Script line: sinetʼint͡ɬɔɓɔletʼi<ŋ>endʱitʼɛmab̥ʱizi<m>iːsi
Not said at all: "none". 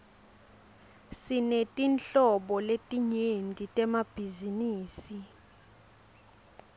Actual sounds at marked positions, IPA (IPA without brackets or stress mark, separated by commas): ɲ, n